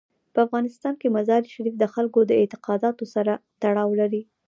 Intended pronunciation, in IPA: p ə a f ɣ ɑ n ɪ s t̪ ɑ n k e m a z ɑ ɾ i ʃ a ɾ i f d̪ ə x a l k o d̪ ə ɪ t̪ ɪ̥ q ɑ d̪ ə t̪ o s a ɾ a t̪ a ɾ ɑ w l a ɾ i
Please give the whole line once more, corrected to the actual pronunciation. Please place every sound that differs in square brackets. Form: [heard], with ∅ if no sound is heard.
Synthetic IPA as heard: p ə a f ɣ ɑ n ɪ s t̪ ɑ n k e m a z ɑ ɾ i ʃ a ɾ i f d̪ ə x a l k o d̪ ə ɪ t̪ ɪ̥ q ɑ d̪ [ɑ] t̪ o s a ɾ a t̪ a [ɽ] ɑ w l a ɾ i